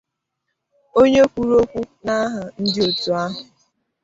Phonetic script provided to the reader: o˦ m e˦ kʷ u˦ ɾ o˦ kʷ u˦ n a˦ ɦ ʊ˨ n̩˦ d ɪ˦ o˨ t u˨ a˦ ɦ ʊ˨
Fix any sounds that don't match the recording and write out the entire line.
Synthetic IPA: o˦ ɲ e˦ kʷ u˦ ɾ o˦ kʷ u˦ n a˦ ɦ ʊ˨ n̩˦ d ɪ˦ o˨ t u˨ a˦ ɦ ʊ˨

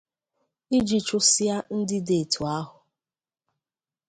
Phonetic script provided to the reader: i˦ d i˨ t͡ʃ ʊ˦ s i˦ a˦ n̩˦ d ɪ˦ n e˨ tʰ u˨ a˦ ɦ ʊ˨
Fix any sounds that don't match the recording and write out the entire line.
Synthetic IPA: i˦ d͡ʒ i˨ t͡ʃ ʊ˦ s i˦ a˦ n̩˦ d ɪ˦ d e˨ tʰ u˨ a˦ ɦ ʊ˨

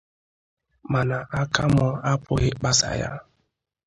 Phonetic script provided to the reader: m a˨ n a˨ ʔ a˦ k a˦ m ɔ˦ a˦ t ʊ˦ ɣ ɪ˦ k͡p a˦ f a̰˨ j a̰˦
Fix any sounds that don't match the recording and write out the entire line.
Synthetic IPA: m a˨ n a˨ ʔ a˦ k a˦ m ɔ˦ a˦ p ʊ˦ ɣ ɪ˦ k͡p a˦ s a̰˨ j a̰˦

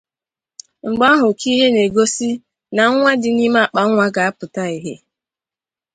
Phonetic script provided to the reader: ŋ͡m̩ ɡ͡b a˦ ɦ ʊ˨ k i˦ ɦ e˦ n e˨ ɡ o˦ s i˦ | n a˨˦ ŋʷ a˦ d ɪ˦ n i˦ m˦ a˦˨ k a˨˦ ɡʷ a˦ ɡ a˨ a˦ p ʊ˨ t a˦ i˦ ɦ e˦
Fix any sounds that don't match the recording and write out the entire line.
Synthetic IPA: ŋ͡m̩ ɡ͡b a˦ ɦ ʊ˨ k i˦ ɦ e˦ n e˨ ɡ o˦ s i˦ | n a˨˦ ŋʷ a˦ d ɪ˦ n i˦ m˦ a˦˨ k͡p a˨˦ ŋʷ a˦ ɡ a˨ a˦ p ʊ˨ t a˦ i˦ ɦ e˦

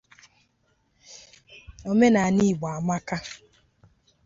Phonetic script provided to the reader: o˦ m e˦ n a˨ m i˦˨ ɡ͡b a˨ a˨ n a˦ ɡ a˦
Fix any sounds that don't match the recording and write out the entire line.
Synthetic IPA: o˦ m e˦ n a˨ n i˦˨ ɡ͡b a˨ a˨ m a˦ k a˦

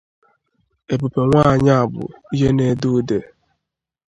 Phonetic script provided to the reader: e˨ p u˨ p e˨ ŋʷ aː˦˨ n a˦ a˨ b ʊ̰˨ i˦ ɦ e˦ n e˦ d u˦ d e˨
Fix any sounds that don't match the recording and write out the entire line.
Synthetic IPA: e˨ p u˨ p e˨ ŋʷ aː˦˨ ɲ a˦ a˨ b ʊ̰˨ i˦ ɦ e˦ n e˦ d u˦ d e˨

